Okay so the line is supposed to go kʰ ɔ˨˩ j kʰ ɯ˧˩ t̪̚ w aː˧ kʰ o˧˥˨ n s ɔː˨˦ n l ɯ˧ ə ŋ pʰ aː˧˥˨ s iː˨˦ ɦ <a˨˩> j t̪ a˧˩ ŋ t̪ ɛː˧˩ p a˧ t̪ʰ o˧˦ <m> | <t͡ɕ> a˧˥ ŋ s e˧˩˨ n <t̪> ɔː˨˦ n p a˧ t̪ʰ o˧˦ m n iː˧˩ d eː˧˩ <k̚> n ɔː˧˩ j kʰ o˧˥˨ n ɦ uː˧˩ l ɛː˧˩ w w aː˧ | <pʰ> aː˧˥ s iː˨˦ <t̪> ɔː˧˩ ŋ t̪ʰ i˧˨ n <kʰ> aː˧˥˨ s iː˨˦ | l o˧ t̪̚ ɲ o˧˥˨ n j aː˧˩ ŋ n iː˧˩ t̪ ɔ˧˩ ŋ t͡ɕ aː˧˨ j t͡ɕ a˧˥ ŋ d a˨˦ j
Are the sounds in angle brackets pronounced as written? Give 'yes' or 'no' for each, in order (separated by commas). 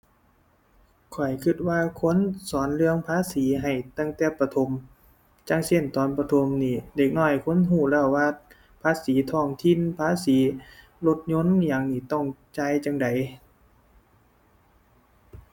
yes, yes, yes, yes, yes, yes, no, no